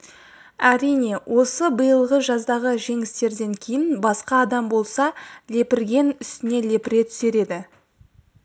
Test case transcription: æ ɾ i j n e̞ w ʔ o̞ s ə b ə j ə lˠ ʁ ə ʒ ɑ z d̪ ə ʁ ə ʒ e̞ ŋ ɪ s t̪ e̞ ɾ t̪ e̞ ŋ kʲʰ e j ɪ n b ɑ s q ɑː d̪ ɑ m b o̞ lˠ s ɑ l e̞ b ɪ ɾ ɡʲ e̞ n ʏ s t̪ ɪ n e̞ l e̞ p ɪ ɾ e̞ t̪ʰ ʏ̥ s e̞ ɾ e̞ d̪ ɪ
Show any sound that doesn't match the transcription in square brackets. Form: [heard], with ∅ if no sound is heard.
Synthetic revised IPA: æ ɾ i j n e̞ w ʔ o̞ s ə b ə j ə lˠ ʁ ə ʒ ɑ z d̪ [ɑ] ʁ ə ʒ e̞ ŋ ɪ s t̪ e̞ ɾ [d̪] e̞ ŋ kʲʰ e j ɪ n b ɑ s q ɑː d̪ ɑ m b o̞ lˠ s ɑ l e̞ [p] ɪ ɾ ɡʲ e̞ n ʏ s t̪ ɪ n e̞ l e̞ p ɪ ɾ e̞ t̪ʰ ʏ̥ s e̞ ɾ e̞ d̪ ɪ